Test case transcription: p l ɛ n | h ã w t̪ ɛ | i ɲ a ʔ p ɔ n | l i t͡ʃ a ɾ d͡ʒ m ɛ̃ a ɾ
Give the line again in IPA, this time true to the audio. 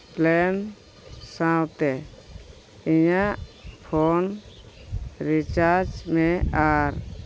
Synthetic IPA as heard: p l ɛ n | s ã w t̪ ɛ | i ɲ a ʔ pʰ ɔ n | ɾ i t͡ʃ a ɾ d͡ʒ m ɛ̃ a ɾ